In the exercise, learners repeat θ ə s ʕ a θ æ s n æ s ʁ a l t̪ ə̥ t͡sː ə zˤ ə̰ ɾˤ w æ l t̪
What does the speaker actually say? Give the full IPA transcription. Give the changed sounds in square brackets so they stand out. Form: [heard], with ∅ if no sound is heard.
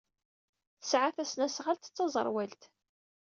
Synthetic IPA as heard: θ ə s ʕ a θ æ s n æ s ʁ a l t̪ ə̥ t͡sː [ɑ] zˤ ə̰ ɾˤ w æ l t̪